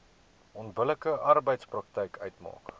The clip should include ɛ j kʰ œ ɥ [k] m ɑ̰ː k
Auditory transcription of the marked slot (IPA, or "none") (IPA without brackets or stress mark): t